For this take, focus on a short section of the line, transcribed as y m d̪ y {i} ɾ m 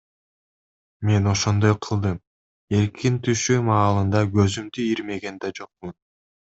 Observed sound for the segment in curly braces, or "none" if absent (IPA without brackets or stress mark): i